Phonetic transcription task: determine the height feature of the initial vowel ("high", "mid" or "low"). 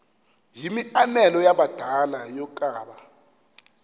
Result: high